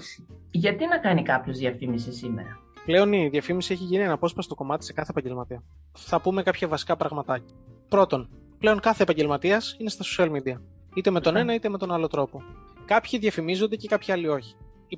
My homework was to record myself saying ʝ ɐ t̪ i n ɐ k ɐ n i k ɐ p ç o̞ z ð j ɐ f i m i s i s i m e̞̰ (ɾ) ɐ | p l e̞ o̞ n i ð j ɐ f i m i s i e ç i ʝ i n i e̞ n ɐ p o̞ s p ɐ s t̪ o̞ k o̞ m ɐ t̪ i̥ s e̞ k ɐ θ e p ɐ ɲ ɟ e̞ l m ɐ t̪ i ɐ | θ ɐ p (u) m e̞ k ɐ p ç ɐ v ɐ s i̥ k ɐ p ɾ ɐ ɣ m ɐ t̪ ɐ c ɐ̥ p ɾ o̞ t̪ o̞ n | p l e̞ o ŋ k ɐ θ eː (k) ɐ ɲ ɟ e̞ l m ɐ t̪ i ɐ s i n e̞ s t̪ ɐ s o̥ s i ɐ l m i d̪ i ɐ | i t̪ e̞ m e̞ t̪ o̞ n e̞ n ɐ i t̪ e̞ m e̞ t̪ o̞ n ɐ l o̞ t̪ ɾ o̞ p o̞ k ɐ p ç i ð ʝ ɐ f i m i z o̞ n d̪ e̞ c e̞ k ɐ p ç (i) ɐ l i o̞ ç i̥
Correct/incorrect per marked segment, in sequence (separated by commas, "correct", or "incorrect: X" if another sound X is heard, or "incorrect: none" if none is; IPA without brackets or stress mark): correct, correct, incorrect: p, correct